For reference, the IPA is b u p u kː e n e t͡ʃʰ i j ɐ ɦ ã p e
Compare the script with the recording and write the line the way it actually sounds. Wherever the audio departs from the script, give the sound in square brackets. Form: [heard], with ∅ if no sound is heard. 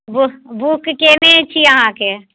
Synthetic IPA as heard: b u [b] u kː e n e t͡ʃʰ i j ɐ ɦ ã [k] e